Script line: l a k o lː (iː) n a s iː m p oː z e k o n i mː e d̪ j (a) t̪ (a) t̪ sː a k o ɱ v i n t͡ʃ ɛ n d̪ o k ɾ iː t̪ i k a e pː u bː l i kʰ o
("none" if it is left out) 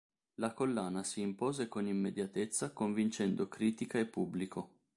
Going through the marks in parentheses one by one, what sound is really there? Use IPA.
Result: aː, a, e

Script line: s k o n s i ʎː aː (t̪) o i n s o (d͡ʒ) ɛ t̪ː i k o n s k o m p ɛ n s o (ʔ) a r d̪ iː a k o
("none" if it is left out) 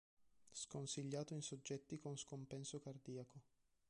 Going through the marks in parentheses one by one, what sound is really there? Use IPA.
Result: t̪, d͡ʒː, k

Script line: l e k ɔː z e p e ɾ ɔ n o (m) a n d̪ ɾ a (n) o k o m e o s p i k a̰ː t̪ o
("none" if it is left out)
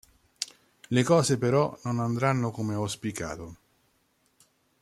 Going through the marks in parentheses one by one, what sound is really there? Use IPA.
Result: n, nː

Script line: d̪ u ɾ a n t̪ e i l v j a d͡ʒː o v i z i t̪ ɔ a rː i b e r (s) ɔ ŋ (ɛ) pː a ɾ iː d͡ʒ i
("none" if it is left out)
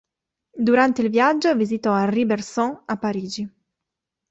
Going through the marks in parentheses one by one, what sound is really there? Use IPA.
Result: s, a

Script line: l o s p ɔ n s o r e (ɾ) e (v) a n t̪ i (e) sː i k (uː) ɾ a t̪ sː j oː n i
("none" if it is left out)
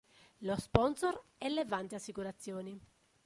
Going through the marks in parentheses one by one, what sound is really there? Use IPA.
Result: l, v, a, u

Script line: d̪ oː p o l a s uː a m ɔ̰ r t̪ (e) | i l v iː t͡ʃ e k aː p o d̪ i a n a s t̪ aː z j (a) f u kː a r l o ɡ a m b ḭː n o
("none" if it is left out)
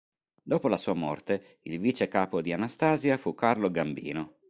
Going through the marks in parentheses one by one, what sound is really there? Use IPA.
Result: e, a

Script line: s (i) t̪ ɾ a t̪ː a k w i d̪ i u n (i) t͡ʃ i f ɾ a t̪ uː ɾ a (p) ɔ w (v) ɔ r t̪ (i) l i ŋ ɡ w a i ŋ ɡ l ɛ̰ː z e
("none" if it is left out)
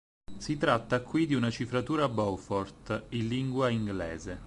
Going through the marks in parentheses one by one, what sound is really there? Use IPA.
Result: i, a, b, f, i

